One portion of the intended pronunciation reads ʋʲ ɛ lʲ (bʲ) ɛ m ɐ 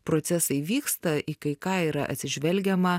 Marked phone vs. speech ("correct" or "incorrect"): incorrect